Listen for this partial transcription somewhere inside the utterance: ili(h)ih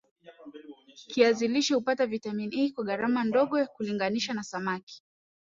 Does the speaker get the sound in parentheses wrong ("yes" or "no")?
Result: yes